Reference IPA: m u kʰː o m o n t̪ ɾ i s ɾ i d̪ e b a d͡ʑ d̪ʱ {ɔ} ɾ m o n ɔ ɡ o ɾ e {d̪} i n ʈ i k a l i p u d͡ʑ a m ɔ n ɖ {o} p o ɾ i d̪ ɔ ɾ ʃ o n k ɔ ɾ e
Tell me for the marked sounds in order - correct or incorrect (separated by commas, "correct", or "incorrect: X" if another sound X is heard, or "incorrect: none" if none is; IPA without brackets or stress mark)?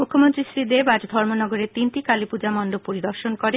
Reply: correct, incorrect: t̪, correct